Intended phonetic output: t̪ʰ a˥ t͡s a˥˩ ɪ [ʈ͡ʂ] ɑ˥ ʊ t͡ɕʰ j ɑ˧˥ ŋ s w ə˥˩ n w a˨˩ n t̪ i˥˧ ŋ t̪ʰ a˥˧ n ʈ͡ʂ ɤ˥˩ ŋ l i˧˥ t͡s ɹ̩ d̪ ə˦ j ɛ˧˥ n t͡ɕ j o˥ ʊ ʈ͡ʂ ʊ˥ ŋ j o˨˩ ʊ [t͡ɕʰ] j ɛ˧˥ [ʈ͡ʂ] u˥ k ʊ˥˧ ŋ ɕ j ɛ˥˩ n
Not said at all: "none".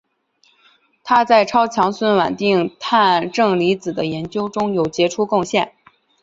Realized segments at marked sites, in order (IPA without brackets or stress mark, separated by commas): ʈ͡ʂʰ, t͡ɕ, ʈ͡ʂʰ